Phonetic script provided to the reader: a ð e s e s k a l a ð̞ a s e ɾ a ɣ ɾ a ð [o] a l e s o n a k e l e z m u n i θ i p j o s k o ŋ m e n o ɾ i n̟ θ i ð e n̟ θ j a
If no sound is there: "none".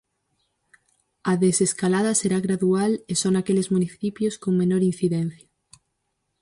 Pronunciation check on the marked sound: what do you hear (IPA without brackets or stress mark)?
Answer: u